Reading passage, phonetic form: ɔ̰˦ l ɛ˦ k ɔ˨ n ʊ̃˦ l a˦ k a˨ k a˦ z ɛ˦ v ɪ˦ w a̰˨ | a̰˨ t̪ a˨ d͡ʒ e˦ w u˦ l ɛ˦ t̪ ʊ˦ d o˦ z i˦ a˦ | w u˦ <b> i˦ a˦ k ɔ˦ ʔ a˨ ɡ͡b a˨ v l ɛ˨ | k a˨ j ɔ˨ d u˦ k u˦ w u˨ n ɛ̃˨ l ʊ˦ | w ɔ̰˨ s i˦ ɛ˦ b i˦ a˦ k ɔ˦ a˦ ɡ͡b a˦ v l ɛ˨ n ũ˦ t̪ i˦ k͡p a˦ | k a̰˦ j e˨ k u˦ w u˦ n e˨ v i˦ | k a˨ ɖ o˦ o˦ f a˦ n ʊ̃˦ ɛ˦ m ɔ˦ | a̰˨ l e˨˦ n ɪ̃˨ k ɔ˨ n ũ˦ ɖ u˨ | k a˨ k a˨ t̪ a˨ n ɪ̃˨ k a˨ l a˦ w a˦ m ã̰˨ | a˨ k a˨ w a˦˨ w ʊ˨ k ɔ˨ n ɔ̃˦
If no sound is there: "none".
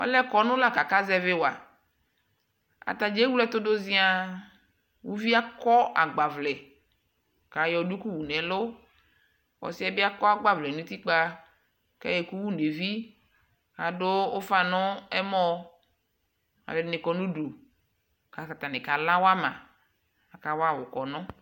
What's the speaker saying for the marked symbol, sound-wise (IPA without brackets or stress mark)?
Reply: v